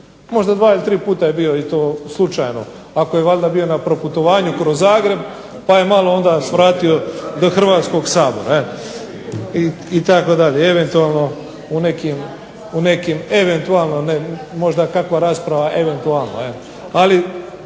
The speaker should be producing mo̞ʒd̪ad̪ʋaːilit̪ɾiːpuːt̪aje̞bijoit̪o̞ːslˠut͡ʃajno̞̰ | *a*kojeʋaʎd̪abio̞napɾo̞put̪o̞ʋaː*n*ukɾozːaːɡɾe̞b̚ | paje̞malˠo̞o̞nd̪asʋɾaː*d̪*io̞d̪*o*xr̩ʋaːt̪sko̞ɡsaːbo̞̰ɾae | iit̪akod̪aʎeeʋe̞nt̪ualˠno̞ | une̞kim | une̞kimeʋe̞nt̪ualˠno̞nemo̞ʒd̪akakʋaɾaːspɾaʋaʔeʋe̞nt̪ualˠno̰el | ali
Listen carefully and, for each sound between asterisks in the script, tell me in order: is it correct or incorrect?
correct, incorrect: ɲ, incorrect: t̪, correct

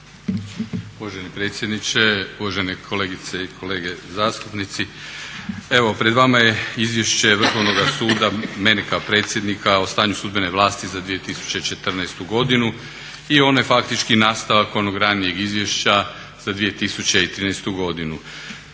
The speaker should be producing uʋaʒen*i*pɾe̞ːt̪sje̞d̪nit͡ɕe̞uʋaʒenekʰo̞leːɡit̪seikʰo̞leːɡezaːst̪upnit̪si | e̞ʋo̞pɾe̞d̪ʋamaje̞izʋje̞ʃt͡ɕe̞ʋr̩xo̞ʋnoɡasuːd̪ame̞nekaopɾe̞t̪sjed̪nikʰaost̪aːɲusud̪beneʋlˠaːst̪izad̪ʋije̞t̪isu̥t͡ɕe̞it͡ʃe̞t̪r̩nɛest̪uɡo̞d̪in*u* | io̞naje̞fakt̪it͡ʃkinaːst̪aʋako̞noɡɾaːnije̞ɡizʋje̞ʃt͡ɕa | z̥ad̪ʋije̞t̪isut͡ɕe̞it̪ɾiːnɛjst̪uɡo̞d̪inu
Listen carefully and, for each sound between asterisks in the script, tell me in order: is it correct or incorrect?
correct, correct

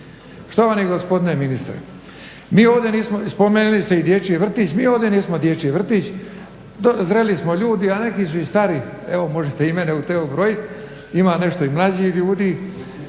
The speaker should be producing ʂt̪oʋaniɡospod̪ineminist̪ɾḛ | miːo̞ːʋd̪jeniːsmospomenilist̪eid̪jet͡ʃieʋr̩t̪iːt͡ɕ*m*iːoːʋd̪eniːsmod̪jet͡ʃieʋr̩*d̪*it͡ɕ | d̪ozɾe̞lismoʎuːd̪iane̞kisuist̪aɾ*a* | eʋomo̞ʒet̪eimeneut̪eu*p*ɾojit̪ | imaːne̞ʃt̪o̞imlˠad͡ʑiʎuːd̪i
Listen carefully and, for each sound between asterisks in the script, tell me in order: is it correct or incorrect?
correct, incorrect: t̪, incorrect: i, incorrect: b

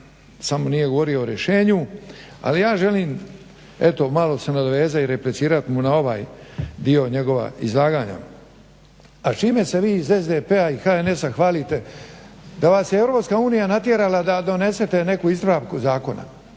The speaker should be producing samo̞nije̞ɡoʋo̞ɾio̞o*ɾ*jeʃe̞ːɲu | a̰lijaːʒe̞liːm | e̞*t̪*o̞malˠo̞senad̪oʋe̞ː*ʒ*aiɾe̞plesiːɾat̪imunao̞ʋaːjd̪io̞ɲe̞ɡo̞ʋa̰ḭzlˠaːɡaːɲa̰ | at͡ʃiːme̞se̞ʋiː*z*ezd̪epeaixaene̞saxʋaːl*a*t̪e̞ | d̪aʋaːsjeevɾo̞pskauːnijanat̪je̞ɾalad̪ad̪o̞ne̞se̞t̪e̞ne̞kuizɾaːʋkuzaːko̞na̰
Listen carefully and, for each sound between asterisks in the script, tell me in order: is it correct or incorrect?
correct, correct, incorrect: z, correct, incorrect: i

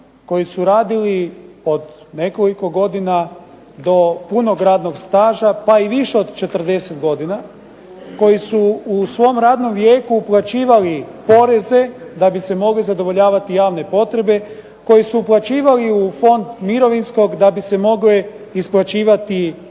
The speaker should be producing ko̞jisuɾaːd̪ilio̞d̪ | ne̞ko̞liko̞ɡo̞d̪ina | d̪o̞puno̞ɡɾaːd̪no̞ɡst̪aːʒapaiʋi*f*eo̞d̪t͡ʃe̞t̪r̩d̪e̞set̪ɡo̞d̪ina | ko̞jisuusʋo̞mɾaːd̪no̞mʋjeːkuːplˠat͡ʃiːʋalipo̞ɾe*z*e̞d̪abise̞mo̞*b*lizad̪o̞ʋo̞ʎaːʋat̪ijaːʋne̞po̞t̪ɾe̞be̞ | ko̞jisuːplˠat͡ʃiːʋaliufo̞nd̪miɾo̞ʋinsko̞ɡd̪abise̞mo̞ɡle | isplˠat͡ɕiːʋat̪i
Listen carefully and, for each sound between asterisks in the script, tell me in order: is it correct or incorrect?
incorrect: ʃ, correct, incorrect: ɡ

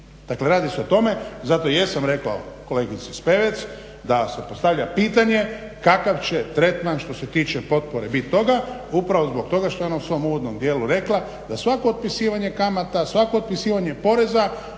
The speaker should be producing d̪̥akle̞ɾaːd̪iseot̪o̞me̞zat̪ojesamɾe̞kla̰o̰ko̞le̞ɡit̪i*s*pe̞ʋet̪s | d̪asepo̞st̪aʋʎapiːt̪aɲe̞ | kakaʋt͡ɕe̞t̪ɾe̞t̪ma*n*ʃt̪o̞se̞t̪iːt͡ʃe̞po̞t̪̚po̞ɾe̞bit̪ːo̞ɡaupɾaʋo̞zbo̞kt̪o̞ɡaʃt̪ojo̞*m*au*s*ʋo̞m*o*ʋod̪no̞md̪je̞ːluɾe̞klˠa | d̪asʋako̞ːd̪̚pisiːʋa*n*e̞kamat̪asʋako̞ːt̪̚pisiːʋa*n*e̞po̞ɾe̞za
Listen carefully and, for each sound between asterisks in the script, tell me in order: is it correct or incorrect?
correct, correct, incorrect: n, correct, incorrect: u, incorrect: ɲ, incorrect: ɲ

